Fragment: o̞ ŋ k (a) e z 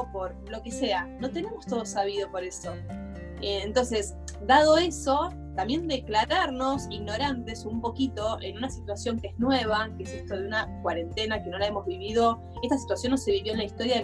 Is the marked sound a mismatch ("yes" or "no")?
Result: yes